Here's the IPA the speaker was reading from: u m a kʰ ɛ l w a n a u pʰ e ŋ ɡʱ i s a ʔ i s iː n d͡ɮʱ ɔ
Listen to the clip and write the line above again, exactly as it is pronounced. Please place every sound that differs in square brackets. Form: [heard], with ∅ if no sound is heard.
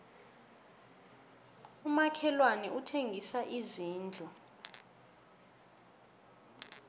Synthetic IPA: u m a kʰ ɛ l w a n [ɛ] u [tʰ] e ŋ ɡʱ i s a ʔ i [z] iː n d͡ɮʱ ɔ

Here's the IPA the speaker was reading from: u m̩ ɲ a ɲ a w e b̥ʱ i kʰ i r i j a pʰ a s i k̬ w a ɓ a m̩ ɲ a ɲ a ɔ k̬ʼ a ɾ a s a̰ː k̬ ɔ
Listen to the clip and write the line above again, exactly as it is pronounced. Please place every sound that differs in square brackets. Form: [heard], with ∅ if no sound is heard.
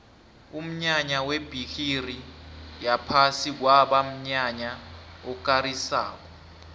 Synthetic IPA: u m̩ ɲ a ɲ a w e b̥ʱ i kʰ i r i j a pʰ a s i k̬ w a ɓ a m̩ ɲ a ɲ a ɔ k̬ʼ a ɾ [i] s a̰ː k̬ ɔ

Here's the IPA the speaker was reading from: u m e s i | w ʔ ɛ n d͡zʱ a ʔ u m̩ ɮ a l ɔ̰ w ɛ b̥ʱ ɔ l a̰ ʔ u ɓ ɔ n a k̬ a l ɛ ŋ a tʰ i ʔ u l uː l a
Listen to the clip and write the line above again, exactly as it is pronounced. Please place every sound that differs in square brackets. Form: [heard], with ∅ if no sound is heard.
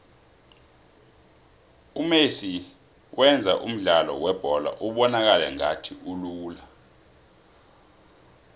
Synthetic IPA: u m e s i | w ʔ ɛ n d͡zʱ a ʔ u m̩ ɮ a l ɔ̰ w ɛ b̥ʱ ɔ l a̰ ʔ u ɓ ɔ n a k̬ a l ɛ ŋ a tʰ i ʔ u l uː l a

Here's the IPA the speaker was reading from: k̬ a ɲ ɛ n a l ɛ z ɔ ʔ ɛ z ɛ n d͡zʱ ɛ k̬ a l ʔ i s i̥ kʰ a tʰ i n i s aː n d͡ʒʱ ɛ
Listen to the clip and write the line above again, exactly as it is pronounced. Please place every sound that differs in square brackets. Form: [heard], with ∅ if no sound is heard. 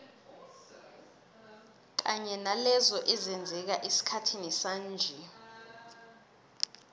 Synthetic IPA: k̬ a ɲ ɛ n a l ɛ z ɔ ʔ ɛ z ɛ n d͡zʱ ɛ k̬ a [∅] ʔ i s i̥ kʰ a tʰ i n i s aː n d͡ʒʱ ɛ

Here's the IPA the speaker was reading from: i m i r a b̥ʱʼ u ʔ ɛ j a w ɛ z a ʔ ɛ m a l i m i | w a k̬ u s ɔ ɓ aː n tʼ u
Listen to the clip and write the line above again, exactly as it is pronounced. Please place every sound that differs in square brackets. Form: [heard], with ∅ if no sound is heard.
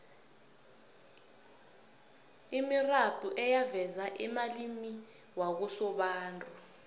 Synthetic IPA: i m i r a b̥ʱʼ u ʔ ɛ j a [v] ɛ z a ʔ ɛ m a l i m i | w a k̬ u s ɔ ɓ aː n tʼ u

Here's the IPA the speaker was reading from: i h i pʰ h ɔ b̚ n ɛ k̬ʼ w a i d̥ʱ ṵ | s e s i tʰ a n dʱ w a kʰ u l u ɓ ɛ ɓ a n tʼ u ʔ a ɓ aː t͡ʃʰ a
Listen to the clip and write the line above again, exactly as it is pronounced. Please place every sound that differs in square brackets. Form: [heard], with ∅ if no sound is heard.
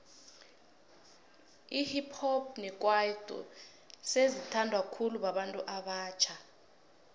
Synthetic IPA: i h i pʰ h ɔ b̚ n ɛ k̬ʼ w a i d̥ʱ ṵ | s e [z] i tʰ a n dʱ w a kʰ u l u ɓ [a] ɓ a n tʼ u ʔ a ɓ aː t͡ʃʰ a

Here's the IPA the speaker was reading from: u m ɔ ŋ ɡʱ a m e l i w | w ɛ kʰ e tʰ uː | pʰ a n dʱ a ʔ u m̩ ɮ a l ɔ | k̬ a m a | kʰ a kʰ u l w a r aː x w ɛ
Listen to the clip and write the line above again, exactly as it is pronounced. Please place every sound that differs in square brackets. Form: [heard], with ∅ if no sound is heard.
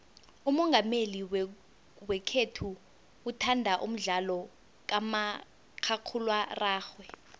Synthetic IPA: u m ɔ ŋ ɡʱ a m e l i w | w ɛ kʰ e tʰ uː | [tʰ] a n dʱ a ʔ u m̩ ɮ a l ɔ | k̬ a m a | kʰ a kʰ u l w a r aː x w ɛ

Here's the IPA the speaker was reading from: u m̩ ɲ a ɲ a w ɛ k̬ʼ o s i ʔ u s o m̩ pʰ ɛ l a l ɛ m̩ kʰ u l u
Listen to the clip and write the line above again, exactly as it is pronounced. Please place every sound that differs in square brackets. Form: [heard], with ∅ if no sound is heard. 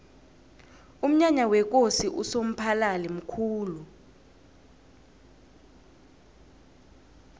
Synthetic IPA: u m̩ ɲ a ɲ a w ɛ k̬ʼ o s i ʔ u s o m̩ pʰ [a] l a l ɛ m̩ kʰ [uː] l u

